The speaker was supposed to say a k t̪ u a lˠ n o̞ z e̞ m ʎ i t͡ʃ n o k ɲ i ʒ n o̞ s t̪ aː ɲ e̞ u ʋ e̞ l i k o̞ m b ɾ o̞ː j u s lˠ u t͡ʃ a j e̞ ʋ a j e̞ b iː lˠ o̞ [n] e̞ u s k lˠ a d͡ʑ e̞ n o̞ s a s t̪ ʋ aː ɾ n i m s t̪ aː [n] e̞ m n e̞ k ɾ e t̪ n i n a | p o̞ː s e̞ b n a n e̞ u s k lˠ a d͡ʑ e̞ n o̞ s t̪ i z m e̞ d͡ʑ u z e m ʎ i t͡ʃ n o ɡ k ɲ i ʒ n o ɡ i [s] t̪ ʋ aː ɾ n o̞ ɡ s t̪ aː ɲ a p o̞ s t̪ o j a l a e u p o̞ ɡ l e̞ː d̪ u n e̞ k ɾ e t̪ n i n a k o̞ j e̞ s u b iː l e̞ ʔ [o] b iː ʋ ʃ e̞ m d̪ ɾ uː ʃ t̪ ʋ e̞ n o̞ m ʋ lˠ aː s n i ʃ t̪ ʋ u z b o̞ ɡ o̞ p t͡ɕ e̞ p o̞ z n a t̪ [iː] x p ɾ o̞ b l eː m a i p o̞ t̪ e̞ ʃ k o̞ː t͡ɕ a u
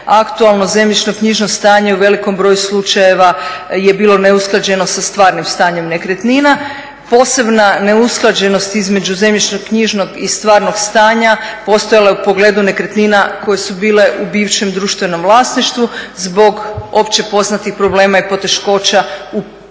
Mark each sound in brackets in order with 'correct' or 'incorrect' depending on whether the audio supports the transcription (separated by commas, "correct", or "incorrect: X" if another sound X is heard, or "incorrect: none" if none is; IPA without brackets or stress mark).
correct, incorrect: ɲ, correct, incorrect: u, incorrect: i